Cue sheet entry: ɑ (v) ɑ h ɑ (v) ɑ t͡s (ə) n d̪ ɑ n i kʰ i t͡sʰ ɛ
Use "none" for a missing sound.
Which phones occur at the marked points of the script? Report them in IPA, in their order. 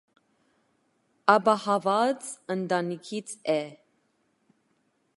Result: b, v, ə

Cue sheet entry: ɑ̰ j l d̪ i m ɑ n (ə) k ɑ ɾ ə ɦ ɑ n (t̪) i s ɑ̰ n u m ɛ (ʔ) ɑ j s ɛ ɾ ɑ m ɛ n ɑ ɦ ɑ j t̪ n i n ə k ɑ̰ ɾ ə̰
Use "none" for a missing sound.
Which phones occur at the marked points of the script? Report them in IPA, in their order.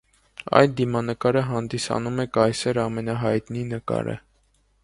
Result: ə, d̪, k

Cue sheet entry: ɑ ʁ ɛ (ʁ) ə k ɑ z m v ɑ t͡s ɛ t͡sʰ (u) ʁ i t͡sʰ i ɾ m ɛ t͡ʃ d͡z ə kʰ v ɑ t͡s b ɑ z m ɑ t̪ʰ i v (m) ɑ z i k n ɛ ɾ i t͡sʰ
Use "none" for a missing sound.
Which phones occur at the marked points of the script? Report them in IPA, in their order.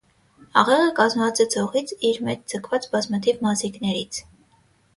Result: ʁ, ɔ, m

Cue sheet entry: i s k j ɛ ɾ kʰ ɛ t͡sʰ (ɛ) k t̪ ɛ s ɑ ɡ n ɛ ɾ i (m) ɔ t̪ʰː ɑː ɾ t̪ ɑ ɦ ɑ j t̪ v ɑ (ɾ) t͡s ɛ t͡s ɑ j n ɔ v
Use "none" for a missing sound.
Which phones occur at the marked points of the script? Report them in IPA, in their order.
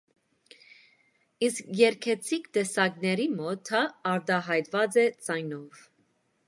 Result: i, m, none

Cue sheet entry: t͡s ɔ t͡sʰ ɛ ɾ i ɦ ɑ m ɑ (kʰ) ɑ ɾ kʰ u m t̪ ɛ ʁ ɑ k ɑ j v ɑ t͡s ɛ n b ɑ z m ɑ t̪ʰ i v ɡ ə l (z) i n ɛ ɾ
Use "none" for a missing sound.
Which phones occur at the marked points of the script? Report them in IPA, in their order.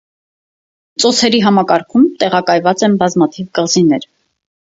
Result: k, z

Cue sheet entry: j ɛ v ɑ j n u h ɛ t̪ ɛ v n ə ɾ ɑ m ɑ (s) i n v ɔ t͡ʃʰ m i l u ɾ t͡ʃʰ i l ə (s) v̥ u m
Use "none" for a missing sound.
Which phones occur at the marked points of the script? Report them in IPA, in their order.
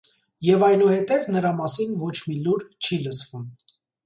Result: s, s

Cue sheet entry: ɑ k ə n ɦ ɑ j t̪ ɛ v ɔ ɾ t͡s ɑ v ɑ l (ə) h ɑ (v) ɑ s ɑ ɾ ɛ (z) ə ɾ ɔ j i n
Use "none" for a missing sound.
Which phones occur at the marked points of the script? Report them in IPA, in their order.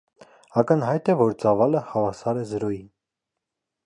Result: ə, v, z

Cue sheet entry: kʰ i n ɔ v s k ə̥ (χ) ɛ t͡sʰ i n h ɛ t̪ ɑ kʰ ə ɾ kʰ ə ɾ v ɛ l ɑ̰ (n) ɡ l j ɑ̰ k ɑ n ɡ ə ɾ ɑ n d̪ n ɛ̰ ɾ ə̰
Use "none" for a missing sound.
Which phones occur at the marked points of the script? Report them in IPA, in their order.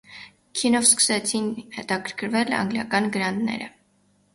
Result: s, ŋ

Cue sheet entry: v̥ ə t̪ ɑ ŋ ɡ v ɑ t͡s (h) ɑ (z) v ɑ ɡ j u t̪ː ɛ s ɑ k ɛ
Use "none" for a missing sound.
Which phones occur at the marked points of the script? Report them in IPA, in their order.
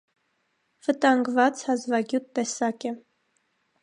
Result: h, z

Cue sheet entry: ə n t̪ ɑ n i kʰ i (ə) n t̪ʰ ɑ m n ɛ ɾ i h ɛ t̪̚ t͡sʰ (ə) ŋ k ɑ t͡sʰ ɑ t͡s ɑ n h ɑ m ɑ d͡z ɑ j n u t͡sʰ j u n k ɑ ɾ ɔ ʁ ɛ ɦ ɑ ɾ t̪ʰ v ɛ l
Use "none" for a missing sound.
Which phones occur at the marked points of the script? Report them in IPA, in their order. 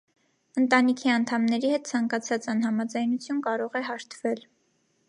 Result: ɑ, ɑ

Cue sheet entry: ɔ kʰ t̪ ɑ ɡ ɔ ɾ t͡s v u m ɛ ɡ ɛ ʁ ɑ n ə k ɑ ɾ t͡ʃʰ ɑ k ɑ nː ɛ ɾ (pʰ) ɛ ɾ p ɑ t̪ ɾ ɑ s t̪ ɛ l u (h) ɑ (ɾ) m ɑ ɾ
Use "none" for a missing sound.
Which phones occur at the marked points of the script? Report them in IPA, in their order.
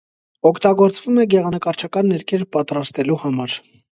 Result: kʰ, h, none

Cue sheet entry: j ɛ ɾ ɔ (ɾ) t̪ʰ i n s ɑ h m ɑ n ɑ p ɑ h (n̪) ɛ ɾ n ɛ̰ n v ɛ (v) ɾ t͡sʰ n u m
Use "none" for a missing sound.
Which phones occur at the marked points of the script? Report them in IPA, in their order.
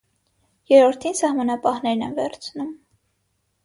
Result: ɾ, n̪, none

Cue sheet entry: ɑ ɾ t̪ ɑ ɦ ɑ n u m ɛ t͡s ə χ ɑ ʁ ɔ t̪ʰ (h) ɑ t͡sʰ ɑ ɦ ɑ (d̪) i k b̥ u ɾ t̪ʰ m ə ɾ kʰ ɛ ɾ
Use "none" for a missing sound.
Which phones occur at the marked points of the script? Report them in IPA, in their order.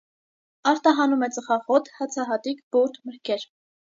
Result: h, t̪

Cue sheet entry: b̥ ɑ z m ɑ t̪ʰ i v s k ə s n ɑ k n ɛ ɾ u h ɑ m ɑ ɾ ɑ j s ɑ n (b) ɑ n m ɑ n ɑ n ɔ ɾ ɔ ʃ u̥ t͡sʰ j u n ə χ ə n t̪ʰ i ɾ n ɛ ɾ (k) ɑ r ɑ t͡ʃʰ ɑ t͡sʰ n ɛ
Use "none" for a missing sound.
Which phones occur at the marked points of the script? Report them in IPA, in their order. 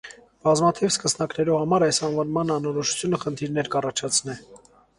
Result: v, k

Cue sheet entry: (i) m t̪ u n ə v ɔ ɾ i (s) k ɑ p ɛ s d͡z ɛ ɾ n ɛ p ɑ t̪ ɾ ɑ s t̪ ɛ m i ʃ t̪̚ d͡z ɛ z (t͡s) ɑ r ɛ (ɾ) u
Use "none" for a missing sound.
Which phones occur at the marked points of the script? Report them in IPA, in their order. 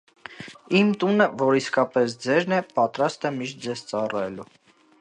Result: i, s, t͡s, l

